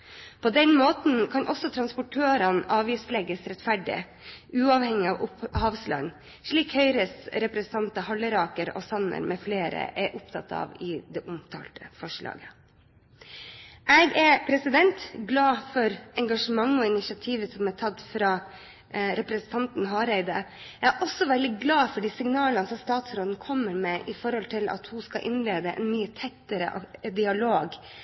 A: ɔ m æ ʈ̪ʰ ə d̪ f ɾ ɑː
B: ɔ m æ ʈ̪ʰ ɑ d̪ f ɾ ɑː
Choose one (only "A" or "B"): B